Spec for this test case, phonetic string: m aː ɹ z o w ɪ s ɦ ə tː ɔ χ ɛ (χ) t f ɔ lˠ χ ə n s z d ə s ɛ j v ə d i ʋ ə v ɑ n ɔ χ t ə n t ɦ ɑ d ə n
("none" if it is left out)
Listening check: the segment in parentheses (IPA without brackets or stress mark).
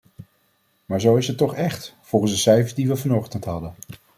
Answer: χ